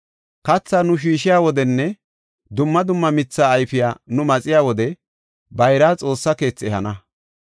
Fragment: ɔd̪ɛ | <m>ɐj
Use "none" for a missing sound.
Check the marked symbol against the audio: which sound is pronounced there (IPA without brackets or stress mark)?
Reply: b